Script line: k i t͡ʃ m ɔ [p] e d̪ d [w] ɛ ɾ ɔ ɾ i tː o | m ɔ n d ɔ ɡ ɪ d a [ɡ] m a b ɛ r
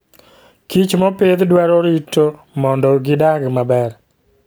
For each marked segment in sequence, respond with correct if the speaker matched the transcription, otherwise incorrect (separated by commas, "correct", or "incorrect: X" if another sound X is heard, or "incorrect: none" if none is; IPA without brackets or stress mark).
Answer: correct, correct, correct